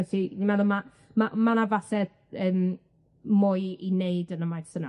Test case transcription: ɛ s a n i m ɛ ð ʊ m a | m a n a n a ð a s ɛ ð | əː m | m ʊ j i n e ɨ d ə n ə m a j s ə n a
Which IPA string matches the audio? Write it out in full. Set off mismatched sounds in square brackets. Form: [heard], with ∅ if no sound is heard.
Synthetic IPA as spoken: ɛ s [i] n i m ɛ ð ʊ m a | m a [m] a n a [v] a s ɛ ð | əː m | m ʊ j i n e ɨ d ə n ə m a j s ə n a